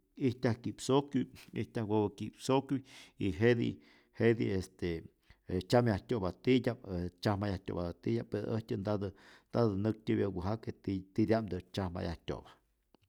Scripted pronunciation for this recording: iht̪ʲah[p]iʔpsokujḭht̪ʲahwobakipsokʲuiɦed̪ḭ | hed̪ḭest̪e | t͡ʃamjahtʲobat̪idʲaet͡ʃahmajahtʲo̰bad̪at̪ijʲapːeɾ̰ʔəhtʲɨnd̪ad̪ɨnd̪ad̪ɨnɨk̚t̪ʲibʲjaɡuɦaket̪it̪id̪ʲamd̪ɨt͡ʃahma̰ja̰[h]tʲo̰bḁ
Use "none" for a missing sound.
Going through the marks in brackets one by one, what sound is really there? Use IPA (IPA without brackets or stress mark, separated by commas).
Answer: k, h